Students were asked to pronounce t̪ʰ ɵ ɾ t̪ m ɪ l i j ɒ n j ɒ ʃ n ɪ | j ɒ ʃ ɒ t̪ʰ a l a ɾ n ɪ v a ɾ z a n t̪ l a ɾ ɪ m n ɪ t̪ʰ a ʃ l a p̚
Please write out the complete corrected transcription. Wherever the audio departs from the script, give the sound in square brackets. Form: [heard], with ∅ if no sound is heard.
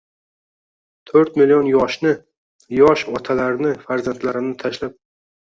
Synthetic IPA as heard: t̪ʰ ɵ ɾ t̪ m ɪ l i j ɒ n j ɒ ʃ n ɪ | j ɒ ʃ ɒ t̪ʰ a l a ɾ n ɪ [f] a ɾ z a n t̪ l a ɾ ɪ m n ɪ t̪ʰ a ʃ l a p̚